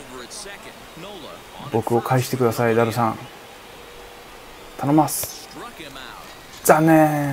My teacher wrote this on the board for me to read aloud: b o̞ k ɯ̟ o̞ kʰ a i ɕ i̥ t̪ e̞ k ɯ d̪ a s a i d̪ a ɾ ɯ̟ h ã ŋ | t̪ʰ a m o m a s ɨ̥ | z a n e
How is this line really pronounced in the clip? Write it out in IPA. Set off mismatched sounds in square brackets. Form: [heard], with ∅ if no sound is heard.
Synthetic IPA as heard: b o̞ k ɯ̟ o̞ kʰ a i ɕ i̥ t̪ e̞ k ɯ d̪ a s a i d̪ a ɾ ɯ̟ [s] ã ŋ | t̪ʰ a [n] o m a s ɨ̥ | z a n e

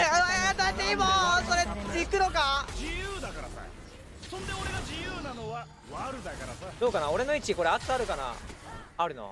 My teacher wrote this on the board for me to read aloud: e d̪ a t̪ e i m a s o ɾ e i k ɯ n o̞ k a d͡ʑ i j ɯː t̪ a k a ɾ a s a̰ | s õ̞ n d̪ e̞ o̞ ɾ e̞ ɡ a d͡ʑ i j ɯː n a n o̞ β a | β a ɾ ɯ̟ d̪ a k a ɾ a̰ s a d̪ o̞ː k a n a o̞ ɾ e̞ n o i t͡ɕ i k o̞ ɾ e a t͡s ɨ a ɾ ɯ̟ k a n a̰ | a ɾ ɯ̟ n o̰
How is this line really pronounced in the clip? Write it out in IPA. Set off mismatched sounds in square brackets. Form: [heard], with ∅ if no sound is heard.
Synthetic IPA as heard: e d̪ a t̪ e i m a s o ɾ e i k ɯ n o̞ k a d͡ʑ i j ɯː [d̪] a k a ɾ a s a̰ | s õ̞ n d̪ e̞ o̞ ɾ e̞ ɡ a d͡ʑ i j ɯː n a n o̞ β a | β a ɾ ɯ̟ d̪ a k a ɾ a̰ s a d̪ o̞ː k a n a o̞ ɾ e̞ n o i t͡ɕ i k o̞ ɾ e a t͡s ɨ a ɾ ɯ̟ k a n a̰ | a ɾ ɯ̟ n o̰

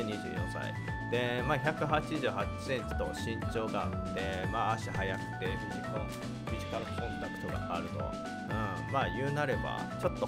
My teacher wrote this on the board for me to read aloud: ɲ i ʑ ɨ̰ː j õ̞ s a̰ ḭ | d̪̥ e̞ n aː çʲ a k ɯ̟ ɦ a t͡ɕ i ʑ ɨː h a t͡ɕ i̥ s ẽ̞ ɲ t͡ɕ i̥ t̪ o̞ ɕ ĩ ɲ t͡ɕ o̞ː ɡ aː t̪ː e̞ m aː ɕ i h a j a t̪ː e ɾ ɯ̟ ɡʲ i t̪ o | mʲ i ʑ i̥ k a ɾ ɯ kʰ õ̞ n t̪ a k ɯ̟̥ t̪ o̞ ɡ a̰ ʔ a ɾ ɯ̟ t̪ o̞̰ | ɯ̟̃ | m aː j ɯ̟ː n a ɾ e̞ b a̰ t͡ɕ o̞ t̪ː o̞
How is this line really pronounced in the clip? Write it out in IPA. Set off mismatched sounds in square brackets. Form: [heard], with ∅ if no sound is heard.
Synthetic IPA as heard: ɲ i ʑ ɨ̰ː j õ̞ s a̰ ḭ | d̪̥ e̞ [m] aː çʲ a k ɯ̟ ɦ a t͡ɕ i ʑ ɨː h a t͡ɕ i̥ s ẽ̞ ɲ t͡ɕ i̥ t̪ o̞ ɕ ĩ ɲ t͡ɕ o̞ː ɡ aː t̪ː e̞ m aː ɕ i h a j a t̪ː e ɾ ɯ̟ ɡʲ i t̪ o | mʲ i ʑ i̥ k a ɾ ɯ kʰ õ̞ n t̪ a k ɯ̟̥ t̪ o̞ ɡ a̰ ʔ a ɾ ɯ̟ t̪ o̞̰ | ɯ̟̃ | m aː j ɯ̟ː n a ɾ e̞ b a̰ t͡ɕ o̞ t̪ː o̞

